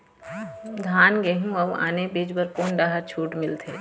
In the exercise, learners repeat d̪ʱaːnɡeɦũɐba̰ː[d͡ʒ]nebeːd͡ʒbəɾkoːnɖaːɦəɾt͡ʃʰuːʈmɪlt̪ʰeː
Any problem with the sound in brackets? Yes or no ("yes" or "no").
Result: yes